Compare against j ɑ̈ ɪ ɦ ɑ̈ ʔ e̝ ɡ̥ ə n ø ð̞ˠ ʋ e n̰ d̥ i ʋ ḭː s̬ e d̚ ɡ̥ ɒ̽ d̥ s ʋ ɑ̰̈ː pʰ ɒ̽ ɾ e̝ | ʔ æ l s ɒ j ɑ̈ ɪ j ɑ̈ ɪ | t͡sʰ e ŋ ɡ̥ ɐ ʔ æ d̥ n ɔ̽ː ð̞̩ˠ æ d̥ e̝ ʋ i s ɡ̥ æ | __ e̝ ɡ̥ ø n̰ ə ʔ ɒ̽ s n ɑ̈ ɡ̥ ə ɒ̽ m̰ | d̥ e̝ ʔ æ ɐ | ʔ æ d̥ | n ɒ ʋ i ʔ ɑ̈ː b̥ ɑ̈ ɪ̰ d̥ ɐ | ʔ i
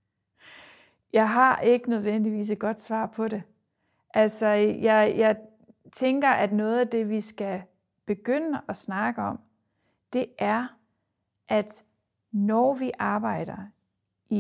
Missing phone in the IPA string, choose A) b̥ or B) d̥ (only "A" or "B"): A